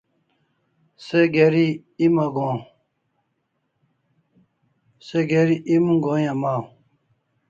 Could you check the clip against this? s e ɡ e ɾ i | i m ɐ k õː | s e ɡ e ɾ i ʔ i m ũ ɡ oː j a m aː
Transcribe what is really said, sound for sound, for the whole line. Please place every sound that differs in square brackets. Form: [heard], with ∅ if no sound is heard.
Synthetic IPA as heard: s e ɡ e ɾ i | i m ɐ [ɡ] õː | s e ɡ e ɾ i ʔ i m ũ ɡ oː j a m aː